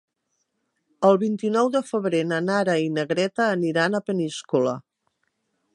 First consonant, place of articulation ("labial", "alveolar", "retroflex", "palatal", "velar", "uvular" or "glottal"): alveolar